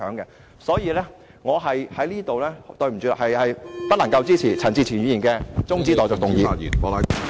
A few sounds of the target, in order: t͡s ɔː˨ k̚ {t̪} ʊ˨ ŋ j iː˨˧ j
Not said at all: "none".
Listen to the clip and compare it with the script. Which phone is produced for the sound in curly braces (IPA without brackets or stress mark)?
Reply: t̪